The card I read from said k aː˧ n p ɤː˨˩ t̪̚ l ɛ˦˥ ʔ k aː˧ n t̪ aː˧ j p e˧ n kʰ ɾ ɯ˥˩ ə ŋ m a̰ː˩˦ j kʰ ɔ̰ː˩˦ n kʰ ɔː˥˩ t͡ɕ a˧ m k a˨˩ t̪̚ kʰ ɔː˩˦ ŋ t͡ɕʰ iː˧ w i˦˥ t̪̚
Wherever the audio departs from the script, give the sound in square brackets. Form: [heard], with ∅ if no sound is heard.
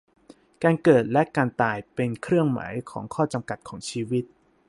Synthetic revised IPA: k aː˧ n [k] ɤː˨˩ t̪̚ l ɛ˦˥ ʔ k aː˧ n t̪ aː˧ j p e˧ n kʰ ɾ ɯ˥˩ ə ŋ m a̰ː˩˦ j kʰ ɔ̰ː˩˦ [ŋ] kʰ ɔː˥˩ t͡ɕ a˧ m k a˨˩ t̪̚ kʰ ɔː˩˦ ŋ t͡ɕʰ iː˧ w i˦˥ t̪̚

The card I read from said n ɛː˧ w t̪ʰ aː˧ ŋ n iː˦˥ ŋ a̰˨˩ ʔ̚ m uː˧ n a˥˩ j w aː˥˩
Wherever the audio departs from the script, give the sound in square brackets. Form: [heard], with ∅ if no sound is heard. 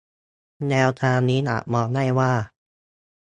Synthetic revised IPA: n ɛː˧ w t̪ʰ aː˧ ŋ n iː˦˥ [n] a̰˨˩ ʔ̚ m [ɔː˧] n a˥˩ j w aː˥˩

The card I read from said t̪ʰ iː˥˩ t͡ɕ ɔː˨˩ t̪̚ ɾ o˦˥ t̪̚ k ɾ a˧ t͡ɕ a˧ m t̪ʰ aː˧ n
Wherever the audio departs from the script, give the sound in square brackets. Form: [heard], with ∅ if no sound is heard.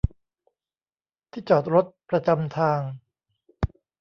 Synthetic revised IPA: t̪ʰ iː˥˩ t͡ɕ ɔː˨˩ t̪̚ ɾ o˦˥ t̪̚ [p] ɾ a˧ t͡ɕ a˧ m t̪ʰ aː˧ [ŋ]

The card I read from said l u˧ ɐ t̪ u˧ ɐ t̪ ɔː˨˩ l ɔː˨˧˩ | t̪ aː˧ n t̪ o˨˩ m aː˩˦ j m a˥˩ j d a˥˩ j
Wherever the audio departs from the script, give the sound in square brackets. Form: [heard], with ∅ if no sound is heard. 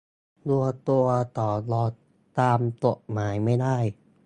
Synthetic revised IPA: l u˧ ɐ t̪ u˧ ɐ t̪ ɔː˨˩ l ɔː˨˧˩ | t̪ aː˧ [m] t̪ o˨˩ m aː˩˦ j m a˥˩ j d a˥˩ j

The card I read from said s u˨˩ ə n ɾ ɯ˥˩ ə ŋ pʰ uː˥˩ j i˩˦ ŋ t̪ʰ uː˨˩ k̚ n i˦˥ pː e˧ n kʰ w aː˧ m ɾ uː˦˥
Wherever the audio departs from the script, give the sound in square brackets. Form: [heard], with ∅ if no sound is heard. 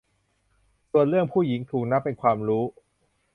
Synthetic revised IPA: s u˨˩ ə n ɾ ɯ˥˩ ə ŋ pʰ uː˥˩ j i˩˦ ŋ t̪ʰ uː˨˩ k̚ n [a˦˥] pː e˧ n kʰ w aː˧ m ɾ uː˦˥

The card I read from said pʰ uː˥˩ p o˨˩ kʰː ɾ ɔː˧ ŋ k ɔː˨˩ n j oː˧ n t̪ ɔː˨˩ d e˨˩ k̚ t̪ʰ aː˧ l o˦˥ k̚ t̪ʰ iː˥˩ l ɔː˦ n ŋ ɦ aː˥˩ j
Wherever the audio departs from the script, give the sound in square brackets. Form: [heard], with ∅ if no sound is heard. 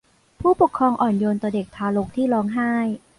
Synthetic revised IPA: pʰ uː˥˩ p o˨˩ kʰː ɾ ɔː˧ ŋ [ʔ] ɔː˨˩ n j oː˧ n t̪ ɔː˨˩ d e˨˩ k̚ t̪ʰ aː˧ l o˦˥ k̚ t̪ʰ iː˥˩ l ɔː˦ [∅] ŋ ɦ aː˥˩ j

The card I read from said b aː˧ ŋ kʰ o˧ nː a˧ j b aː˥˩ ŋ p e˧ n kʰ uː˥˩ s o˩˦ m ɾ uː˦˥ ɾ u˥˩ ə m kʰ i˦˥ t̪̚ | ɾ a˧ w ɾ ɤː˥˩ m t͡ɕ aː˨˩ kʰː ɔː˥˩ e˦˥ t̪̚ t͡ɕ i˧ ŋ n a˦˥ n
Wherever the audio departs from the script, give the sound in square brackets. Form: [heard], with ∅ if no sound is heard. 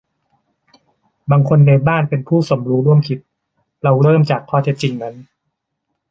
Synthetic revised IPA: b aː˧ ŋ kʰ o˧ nː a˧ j b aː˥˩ [n] p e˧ n [pʰ] uː˥˩ s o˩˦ m ɾ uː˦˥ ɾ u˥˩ ə m kʰ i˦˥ t̪̚ | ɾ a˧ w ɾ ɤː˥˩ m t͡ɕ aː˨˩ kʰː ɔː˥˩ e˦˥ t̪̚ t͡ɕ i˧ ŋ n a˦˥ n

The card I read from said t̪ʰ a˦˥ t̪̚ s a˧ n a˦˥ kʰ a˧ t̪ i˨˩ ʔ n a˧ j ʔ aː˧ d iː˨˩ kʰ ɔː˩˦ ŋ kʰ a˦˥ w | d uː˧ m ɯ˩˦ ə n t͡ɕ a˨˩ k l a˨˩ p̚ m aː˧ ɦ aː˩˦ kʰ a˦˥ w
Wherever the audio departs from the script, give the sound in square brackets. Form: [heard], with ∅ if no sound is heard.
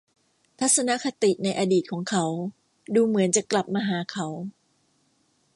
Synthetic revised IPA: t̪ʰ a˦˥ t̪̚ s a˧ n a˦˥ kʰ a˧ t̪ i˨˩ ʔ n a˧ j ʔ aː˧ d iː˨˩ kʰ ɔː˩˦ ŋ kʰ a˦˥ w | d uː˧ m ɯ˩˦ ə n t͡ɕ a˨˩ k l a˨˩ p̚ m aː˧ ɦ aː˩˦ kʰ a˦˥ w

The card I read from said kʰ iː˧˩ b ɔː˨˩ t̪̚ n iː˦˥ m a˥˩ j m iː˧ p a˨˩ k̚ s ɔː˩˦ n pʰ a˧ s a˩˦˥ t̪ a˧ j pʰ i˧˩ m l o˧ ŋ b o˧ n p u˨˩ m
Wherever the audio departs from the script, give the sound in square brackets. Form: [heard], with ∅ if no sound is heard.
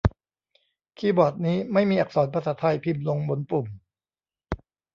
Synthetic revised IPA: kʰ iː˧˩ b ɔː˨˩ t̪̚ n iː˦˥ m a˥˩ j m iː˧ [ʔ] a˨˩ k̚ s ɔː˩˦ n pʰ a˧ s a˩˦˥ [t̪ʰ] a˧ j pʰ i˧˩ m l o˧ ŋ b o˧ n p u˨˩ m

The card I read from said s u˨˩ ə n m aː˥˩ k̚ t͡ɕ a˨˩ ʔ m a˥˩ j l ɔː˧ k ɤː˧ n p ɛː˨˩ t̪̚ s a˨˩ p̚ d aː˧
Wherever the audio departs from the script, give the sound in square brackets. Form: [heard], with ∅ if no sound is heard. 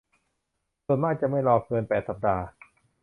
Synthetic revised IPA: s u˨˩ ə n m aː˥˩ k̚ t͡ɕ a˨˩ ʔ m a˥˩ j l ɔː˧ k ɤː˧ n p ɛː˨˩ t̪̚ s a˨˩ p̚ d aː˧

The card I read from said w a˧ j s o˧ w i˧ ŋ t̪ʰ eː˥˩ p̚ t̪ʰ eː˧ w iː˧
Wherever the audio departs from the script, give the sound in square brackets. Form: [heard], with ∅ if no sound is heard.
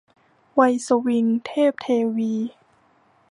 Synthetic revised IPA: w a˧ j s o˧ w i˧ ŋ t̪ʰ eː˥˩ p̚ t̪ʰ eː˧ w iː˧

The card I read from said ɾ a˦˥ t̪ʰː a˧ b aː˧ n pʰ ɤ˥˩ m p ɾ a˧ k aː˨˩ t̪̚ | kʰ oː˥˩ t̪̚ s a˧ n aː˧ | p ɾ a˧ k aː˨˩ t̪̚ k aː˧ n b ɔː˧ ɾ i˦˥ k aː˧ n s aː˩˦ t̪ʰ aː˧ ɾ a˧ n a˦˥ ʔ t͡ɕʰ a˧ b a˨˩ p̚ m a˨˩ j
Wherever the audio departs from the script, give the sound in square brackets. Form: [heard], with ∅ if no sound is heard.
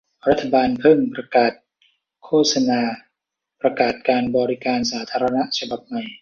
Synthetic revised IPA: ɾ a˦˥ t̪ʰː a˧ b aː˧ n pʰ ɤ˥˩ [ŋ] p ɾ a˧ k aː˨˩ t̪̚ | kʰ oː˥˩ t̪̚ s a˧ n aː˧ | p ɾ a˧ k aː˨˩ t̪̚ k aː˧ n b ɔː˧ ɾ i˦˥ k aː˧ n s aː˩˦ t̪ʰ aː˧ ɾ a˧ n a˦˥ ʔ t͡ɕʰ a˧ b a˨˩ p̚ m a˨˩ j

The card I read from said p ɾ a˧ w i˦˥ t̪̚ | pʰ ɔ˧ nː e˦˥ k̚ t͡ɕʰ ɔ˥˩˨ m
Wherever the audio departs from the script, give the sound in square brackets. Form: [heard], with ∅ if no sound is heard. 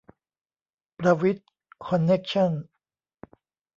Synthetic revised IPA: p ɾ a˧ w i˦˥ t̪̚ | [kʰ] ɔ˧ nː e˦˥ k̚ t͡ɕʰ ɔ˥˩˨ [n]

